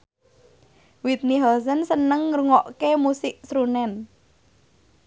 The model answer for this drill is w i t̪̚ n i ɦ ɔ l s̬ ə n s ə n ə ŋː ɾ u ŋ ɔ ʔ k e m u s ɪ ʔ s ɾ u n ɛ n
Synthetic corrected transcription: w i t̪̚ n i ɦ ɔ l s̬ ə n s ə n ə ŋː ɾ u ŋ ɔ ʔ k e m u s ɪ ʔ s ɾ u n ɛ n